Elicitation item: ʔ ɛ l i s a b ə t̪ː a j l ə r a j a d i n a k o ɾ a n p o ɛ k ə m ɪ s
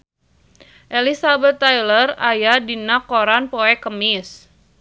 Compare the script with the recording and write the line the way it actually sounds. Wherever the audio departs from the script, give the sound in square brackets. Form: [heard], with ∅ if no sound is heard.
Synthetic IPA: ʔ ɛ l i s a b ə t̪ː a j l ə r a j a d i n a k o ɾ a n p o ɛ k ə m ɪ s